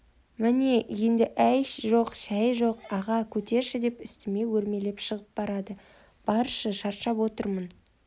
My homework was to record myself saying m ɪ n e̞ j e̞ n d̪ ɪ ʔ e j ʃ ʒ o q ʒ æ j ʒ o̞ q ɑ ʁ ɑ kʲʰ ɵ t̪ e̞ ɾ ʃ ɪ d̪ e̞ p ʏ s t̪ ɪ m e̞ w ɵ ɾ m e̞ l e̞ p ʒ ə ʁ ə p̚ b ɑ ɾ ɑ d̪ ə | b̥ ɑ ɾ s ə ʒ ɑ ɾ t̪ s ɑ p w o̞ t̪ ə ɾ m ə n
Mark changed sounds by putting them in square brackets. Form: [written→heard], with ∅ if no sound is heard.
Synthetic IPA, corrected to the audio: m ɪ n e̞ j e̞ n d̪ ɪ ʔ [e→æ] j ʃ ʒ o q [ʒ→ʃ] æ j ʒ o̞ q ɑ ʁ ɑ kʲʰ ɵ t̪ e̞ ɾ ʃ ɪ d̪ e̞ p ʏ s t̪ ɪ m e̞ w ɵ ɾ m e̞ l e̞ p [ʒ→ʃ] ə ʁ ə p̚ b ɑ ɾ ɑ d̪ ə | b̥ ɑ ɾ [s→ʃ] ə [ʒ→ʃ] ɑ ɾ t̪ [s→ʃ] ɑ p w o̞ t̪ ə ɾ m ə n